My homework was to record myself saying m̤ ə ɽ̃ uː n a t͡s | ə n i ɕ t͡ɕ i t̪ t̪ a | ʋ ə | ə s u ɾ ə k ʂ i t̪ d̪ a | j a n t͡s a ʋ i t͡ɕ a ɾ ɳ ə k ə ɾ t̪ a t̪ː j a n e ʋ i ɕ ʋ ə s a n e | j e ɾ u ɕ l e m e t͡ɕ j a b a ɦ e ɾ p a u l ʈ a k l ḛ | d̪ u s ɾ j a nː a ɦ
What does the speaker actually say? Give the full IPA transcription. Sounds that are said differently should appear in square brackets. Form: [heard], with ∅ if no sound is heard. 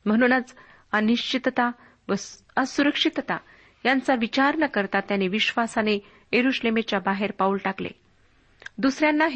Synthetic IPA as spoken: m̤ ə ɽ̃ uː n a t͡s | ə n i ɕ t͡ɕ i t̪ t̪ a | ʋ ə | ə s u ɾ ə k ʂ i t̪ [t̪] a | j a n t͡s a ʋ i t͡ɕ a ɾ ɳ ə k ə ɾ t̪ a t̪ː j a n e ʋ i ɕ ʋ [a] s a n e | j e ɾ u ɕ l e m e t͡ɕ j a b a ɦ e ɾ p a u l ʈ a k l ḛ | d̪ u s ɾ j a nː a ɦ